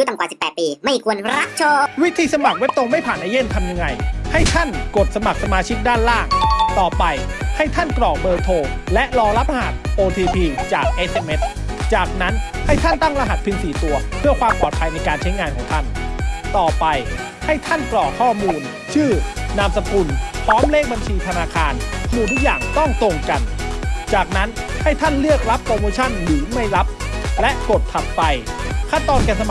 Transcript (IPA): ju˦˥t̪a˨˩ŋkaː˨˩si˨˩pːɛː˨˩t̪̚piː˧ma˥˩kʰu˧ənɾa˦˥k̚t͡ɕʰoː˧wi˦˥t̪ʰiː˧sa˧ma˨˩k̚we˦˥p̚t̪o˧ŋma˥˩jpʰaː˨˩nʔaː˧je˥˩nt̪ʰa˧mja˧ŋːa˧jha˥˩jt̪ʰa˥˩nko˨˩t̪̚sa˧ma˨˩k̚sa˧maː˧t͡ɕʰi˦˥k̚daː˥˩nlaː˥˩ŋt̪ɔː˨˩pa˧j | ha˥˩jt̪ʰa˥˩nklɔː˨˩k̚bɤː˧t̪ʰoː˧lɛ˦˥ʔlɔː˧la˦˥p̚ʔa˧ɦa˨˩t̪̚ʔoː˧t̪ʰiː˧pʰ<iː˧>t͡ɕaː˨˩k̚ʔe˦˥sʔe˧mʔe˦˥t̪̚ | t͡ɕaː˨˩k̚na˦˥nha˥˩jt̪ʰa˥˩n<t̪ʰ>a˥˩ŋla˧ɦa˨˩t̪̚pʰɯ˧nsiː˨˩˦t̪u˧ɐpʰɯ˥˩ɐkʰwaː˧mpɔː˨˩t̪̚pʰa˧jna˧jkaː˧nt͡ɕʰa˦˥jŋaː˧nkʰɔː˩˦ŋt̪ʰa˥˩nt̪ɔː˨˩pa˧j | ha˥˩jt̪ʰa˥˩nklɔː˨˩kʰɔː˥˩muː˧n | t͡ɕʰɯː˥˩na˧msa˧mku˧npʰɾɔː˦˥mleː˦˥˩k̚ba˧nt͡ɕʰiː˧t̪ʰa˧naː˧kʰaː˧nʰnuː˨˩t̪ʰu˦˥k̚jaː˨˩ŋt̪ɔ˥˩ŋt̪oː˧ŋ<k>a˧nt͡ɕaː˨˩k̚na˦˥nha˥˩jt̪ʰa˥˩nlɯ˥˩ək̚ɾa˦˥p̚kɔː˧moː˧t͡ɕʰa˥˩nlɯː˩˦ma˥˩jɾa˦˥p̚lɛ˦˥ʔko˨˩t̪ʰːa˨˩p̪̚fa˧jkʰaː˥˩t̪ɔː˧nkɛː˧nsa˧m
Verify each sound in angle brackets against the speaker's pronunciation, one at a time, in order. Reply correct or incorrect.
correct, incorrect: t̪, correct

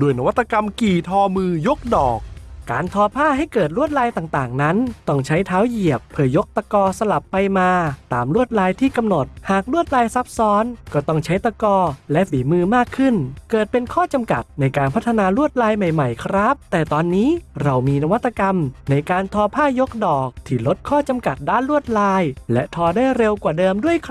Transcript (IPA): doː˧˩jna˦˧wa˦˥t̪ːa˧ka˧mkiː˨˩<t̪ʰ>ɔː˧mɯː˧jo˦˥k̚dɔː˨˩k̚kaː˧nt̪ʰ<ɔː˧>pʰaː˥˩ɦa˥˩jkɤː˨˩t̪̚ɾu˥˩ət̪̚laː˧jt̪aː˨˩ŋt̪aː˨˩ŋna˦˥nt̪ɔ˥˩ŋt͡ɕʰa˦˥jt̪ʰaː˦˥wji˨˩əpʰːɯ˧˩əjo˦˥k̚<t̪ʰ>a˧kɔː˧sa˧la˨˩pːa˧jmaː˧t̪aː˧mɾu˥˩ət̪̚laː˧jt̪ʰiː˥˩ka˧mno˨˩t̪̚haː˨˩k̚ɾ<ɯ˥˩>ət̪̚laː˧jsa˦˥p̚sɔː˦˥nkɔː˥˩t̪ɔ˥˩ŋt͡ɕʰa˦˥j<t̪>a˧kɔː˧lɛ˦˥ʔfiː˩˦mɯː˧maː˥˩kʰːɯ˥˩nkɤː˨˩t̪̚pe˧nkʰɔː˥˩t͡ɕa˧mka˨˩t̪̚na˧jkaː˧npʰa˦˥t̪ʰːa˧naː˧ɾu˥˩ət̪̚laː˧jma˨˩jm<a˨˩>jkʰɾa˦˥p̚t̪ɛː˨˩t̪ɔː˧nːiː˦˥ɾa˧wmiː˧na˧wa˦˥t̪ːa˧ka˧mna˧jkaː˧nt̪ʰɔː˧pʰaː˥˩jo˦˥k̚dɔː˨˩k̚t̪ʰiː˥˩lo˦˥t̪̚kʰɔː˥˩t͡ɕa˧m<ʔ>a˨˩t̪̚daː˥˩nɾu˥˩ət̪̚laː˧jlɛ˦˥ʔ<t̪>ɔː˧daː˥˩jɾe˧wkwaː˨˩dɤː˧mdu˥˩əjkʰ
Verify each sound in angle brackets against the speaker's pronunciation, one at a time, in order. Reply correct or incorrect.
correct, correct, incorrect: t̪, incorrect: u˥˩, correct, correct, incorrect: k, incorrect: t̪ʰ

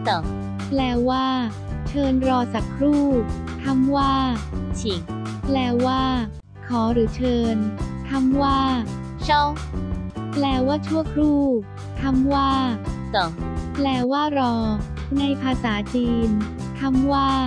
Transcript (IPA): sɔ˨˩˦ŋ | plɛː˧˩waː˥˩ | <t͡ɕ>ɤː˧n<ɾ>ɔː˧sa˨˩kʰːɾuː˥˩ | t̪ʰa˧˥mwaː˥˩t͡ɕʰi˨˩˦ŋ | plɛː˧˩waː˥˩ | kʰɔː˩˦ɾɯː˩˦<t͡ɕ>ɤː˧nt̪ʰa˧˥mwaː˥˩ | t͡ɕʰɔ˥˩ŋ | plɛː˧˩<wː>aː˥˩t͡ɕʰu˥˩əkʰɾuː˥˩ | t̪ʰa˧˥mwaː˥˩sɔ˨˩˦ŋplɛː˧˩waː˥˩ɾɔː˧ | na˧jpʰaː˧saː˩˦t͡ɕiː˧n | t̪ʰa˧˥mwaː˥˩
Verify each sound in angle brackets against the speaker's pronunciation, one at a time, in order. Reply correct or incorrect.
incorrect: t͡ɕʰ, correct, incorrect: t͡ɕʰ, incorrect: w

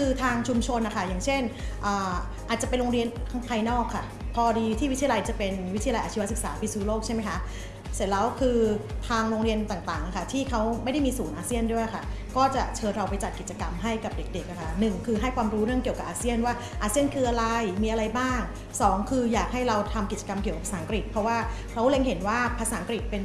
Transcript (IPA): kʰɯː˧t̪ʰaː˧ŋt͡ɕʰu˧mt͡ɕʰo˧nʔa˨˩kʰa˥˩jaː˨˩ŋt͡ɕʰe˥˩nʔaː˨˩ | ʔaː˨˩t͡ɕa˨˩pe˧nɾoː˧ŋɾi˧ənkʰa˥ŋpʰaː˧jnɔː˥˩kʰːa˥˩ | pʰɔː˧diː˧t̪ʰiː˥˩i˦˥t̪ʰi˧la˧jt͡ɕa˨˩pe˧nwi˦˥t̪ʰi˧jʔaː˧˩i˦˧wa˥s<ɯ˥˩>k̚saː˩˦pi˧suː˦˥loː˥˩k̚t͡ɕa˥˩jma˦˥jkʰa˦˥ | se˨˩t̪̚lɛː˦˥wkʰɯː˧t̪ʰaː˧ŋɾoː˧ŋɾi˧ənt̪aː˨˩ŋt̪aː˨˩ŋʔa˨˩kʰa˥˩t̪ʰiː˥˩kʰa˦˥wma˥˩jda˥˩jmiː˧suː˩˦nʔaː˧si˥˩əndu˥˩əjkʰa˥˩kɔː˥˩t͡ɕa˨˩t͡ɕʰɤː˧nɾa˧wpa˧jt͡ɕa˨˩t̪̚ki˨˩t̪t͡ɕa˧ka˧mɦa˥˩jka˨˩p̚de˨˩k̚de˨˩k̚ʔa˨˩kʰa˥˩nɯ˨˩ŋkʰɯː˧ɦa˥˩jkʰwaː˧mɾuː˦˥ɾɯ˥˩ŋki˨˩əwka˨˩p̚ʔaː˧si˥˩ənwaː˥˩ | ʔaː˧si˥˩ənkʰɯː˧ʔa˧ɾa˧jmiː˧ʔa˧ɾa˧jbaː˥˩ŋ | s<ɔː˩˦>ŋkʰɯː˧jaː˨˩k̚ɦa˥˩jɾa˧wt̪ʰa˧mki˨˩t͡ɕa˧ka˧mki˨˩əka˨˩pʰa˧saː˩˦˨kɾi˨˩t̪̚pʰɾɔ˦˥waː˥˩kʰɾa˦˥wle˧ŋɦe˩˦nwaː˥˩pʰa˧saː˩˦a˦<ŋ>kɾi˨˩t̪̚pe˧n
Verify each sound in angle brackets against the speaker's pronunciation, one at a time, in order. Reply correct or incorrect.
incorrect: ɯ˨˩, correct, correct

